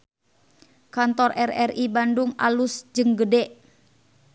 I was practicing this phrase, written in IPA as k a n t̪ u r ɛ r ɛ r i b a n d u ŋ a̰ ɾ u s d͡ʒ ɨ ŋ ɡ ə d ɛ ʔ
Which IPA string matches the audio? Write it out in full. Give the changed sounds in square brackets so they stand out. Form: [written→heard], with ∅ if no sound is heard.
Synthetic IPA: k a n t̪ [u→ɔ] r ɛ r ɛ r i b a n d u ŋ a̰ [ɾ→l] u s d͡ʒ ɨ ŋ ɡ ə d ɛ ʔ

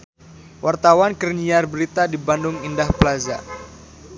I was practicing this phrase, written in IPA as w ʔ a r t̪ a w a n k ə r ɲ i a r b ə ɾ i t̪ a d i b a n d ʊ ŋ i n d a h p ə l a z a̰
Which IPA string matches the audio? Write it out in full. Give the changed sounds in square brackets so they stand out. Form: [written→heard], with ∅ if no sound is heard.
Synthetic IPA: w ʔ a r t̪ a w a n k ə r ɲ i a r b ə ɾ i t̪ a d i b a n d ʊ ŋ i n d a h p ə l a z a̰

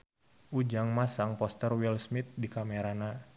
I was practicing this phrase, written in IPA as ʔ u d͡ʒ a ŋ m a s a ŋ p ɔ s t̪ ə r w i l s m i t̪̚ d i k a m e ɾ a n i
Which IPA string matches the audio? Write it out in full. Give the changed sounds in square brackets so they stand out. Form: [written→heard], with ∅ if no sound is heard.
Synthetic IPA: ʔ u d͡ʒ a ŋ m a s a ŋ p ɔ s t̪ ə r w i l s m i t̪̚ d i k a m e ɾ a n [i→a]

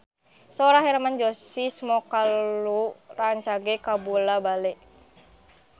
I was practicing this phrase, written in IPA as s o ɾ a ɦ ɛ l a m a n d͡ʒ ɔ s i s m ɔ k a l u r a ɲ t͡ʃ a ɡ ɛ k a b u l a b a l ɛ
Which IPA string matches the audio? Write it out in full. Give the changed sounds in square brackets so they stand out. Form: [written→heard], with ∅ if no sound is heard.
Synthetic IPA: s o ɾ a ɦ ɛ [l→ɾ] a m a n d͡ʒ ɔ s i s m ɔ k a l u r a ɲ t͡ʃ a ɡ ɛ k a b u l a b a l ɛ

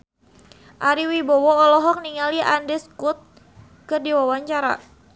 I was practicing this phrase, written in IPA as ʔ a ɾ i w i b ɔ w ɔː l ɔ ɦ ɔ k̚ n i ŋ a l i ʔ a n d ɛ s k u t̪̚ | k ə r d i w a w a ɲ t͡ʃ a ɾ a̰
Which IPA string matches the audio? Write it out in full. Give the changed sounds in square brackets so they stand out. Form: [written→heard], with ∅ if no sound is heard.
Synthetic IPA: ʔ a ɾ i w i b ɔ w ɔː l ɔ ɦ ɔ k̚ n i ŋ a l i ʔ a n d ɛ s k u t̪̚ | k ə r d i w a w a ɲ t͡ʃ a ɾ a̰

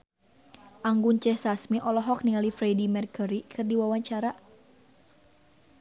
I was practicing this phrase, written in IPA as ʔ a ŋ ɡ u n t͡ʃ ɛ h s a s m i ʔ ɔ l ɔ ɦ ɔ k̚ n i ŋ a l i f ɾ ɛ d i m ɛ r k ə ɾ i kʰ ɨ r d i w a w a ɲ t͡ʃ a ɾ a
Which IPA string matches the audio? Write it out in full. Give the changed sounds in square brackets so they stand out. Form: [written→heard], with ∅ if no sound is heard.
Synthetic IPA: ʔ a ŋ ɡ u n t͡ʃ ɛ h s a s m i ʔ ɔ l ɔ ɦ ɔ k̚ n i ŋ a l i f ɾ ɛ d i m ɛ r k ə ɾ i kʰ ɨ r d i w a w a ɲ t͡ʃ a ɾ a

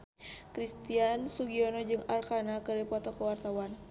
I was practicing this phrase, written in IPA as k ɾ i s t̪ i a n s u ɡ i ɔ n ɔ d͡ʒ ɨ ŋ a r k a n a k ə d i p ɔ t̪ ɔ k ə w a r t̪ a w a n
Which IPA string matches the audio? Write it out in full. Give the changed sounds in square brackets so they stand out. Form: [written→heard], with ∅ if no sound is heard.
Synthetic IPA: k ɾ i s t̪ i a n s u ɡ i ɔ n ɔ d͡ʒ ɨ ŋ a r k a n a k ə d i p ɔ t̪ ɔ k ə w a r t̪ a w a n

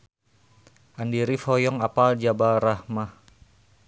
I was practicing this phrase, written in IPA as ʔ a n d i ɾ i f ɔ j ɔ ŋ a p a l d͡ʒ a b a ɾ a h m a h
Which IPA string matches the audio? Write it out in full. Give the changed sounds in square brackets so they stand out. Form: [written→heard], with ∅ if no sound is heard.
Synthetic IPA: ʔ a n d i ɾ i f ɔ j ɔ ŋ a p a l d͡ʒ a b a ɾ a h m a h

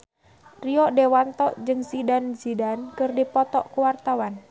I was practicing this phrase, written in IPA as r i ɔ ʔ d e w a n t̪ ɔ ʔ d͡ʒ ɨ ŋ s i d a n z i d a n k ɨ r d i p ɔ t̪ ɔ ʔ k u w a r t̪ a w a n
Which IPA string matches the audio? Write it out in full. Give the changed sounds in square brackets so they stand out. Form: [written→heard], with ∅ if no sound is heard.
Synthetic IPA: r i ɔ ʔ d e w a n t̪ ɔ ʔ d͡ʒ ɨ ŋ s i d a n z i d a n k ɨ r d i p ɔ t̪ ɔ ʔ k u w a r t̪ a w a n

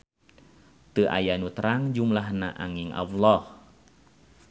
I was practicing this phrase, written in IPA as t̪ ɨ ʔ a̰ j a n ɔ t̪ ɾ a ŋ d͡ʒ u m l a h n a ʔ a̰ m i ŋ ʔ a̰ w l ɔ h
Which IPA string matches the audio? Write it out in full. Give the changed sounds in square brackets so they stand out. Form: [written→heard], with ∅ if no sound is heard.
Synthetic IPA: t̪ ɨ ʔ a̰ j a n [ɔ→u] t̪ ɾ a ŋ d͡ʒ u m l a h n a ʔ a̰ [m→ŋ] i ŋ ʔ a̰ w l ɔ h

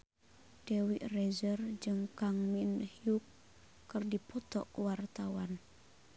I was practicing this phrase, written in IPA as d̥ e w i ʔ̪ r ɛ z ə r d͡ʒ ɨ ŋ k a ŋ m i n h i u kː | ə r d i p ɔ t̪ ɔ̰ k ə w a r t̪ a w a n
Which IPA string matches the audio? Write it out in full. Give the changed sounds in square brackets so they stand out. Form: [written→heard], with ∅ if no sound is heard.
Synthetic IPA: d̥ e w i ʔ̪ r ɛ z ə r d͡ʒ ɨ ŋ k a ŋ m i n h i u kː | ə r d i p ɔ t̪ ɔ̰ k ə w a r t̪ a w a n

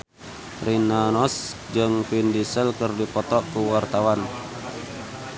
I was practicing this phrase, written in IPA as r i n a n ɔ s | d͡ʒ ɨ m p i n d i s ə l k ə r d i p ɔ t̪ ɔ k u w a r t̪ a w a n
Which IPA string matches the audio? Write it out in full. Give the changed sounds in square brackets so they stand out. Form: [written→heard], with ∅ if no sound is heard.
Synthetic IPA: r i n a n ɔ s | d͡ʒ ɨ [m→ŋ] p i n d i s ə l k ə r d i p ɔ t̪ ɔ k u w a r t̪ a w a n

